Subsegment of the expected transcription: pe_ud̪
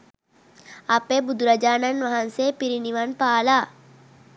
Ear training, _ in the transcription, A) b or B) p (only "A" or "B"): A